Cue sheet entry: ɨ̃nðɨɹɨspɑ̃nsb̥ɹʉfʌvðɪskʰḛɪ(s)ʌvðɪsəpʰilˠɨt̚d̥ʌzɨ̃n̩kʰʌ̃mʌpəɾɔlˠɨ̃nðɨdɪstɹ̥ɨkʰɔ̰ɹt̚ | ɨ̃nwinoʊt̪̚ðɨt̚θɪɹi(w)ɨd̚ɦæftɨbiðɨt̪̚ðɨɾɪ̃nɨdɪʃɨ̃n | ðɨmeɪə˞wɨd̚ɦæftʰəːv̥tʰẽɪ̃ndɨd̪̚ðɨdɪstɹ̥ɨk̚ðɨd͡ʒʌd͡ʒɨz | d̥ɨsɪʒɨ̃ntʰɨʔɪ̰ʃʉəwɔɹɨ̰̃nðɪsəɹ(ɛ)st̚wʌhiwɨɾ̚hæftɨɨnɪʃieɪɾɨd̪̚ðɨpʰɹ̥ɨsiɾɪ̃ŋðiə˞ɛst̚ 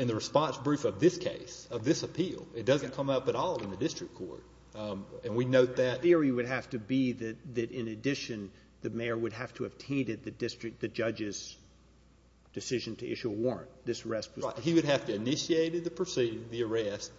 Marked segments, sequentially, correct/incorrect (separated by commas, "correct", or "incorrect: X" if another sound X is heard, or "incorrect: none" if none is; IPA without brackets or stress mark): correct, correct, correct